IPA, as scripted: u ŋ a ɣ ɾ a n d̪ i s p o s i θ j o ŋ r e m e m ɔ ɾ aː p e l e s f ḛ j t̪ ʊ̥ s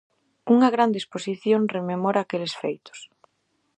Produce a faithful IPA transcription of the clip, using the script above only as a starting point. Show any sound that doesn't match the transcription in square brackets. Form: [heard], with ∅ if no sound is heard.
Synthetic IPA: u ŋ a ɣ ɾ a n d̪ [e] s p o s i θ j o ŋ r e m e m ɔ ɾ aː [k] e l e s f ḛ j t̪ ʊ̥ s